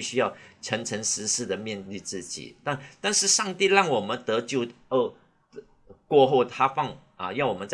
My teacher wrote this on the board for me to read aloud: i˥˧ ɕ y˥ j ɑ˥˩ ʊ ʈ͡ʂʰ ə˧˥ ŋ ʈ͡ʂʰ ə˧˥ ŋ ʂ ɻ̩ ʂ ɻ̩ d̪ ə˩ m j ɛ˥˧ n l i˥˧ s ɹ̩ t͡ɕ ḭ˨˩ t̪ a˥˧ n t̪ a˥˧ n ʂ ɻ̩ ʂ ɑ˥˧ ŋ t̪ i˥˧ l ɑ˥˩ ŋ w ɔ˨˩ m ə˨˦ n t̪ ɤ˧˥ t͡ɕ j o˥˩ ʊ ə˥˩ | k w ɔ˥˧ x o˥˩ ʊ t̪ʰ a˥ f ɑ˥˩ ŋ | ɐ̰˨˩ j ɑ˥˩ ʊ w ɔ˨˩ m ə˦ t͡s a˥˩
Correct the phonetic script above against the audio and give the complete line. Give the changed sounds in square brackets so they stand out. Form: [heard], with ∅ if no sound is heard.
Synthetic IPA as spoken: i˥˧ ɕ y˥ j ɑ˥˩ ʊ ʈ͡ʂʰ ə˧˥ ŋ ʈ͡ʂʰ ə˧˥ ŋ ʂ ɻ̩ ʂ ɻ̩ d̪ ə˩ m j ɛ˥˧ n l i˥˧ [t͡s] ɹ̩ t͡ɕ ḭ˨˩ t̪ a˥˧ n t̪ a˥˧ n ʂ ɻ̩ ʂ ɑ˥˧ ŋ t̪ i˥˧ l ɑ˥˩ ŋ w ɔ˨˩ m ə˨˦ n t̪ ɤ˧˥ t͡ɕ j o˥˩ ʊ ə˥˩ | k w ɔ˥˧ x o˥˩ ʊ t̪ʰ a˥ f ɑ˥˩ ŋ | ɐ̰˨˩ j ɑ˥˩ ʊ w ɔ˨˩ m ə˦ t͡s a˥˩